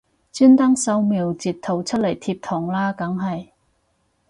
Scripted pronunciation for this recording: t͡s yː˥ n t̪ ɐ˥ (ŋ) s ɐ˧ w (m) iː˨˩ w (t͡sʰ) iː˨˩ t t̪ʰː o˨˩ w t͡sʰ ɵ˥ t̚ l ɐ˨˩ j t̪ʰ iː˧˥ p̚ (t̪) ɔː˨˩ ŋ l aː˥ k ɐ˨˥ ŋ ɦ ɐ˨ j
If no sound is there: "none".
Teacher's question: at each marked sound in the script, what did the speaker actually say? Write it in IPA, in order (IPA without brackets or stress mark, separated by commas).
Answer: ŋ, m, t͡s, t̪ʰ